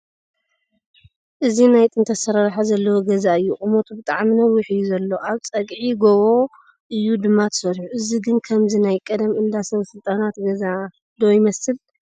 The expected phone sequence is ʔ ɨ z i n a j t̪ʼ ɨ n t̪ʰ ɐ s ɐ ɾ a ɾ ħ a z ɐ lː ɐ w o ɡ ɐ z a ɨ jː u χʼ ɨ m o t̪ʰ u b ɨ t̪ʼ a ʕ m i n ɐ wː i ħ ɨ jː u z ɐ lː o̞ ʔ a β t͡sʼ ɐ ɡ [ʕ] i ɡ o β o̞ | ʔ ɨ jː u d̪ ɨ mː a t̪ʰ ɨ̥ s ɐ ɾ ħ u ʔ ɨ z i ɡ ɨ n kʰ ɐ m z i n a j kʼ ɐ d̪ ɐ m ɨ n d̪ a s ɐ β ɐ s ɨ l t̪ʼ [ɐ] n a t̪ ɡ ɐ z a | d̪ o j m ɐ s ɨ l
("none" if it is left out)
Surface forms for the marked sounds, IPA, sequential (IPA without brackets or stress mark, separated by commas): ʕ, a